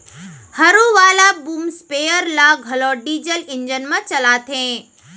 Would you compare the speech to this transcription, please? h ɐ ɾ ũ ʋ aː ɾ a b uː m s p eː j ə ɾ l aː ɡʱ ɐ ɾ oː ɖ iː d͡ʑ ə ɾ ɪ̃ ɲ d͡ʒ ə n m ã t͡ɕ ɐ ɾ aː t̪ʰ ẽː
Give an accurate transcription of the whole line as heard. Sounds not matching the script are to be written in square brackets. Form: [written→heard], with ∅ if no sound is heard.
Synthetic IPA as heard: h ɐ ɾ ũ ʋ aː [ɾ→l] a b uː m s p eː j ə ɾ l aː ɡʱ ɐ [ɾ→l] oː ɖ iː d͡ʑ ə [ɾ→l] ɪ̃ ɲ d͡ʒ ə n m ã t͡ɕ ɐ [ɾ→l] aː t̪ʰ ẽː